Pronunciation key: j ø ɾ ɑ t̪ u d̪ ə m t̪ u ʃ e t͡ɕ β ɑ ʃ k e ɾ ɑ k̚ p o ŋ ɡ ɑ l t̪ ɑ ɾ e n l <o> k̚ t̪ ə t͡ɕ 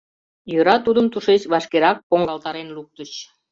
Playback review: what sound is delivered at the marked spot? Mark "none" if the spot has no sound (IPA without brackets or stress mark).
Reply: u